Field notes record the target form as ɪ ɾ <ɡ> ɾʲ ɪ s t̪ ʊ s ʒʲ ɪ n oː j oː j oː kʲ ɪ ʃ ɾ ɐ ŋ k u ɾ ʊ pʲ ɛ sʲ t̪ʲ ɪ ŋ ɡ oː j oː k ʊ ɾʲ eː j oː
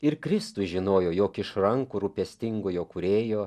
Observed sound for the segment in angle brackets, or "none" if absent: k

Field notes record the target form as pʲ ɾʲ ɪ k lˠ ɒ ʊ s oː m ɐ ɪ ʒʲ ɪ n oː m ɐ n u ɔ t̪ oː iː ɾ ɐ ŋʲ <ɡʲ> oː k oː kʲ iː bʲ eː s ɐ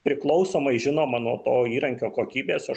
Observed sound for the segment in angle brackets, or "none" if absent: kʲ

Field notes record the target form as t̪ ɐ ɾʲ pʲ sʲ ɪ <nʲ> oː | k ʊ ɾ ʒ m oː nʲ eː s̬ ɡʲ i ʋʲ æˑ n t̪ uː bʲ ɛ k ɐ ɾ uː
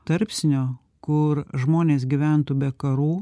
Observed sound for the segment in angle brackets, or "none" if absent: nʲ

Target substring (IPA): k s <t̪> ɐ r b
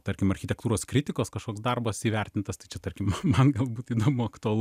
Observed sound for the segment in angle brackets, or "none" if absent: d̪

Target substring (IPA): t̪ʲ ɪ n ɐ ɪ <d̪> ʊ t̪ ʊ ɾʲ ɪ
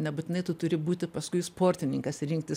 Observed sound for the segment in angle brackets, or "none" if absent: t̪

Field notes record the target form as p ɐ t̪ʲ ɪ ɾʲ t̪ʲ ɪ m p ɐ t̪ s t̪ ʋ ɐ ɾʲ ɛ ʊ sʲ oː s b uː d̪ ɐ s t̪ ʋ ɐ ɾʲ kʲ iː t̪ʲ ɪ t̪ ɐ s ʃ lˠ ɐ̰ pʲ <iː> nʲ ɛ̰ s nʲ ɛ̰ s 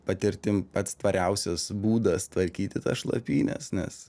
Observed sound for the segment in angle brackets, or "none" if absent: iː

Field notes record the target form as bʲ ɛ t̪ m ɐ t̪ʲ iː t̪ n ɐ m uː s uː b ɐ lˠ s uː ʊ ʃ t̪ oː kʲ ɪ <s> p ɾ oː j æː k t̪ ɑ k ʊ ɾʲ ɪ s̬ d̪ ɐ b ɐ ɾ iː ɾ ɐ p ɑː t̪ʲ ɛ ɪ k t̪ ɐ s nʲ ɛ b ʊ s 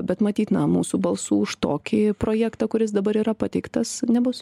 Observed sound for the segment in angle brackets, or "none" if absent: none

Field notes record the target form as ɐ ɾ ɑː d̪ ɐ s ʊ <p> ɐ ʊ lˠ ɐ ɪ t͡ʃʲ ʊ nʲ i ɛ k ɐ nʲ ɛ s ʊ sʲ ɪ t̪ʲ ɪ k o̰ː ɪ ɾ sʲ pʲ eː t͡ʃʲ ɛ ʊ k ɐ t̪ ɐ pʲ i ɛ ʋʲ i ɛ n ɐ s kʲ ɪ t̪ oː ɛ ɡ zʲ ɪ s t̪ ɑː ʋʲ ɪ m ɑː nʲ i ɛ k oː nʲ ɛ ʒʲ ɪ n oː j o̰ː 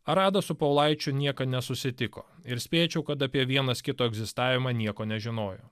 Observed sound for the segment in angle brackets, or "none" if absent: p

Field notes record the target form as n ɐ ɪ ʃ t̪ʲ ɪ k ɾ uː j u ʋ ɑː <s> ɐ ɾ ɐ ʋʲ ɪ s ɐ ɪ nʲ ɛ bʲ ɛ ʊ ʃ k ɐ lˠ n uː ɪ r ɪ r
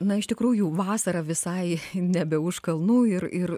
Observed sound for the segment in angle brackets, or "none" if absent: s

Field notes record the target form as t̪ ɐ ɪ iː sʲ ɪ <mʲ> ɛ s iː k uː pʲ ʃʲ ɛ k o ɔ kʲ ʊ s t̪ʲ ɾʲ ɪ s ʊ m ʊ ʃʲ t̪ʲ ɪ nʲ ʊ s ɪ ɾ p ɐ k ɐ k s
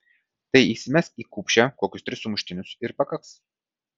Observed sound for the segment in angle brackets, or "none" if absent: mʲ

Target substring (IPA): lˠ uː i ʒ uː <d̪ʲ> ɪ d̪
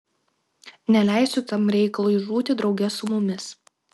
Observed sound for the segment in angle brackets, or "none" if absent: t̪ʲ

